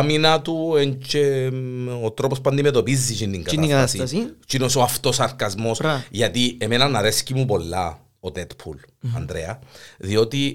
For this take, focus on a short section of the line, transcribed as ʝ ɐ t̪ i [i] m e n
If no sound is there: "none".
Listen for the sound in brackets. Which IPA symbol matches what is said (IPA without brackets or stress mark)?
e